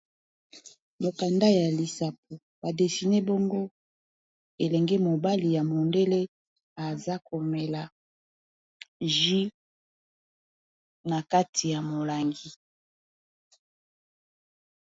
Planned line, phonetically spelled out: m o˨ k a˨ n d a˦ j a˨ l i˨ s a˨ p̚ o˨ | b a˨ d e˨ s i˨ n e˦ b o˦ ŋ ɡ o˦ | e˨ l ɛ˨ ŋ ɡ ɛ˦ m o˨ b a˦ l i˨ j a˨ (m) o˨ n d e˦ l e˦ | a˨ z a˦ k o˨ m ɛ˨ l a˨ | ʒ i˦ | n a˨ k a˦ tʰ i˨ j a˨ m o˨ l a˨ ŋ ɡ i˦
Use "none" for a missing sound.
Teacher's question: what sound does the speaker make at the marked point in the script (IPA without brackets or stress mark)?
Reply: m